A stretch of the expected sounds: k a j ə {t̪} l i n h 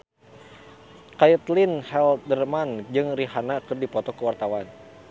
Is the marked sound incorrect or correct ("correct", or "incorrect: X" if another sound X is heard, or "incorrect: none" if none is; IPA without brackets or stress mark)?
correct